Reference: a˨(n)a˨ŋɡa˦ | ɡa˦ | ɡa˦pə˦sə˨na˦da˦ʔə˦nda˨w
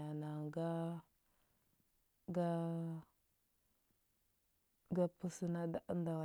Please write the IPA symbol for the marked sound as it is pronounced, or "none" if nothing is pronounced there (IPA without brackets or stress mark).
n